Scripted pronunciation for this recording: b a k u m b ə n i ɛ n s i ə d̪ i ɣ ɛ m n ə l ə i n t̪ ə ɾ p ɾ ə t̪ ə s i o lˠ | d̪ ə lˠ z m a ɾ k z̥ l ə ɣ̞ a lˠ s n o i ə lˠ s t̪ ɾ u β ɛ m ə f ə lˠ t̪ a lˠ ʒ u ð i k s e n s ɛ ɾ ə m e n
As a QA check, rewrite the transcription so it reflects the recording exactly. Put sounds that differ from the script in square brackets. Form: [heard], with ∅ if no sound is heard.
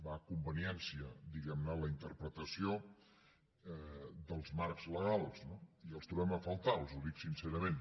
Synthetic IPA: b a k u m b ə n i ɛ n s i ə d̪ i ɣ ɛ m n ə l ə i n t̪ ə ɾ p ɾ ə t̪ ə s i o [∅] | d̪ ə lˠ z m a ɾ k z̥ l ə ɣ̞ a lˠ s n o i ə lˠ s t̪ ɾ u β ɛ m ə f ə lˠ t̪ a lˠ [z] u ð i k s [i] n s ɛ ɾ ə m e n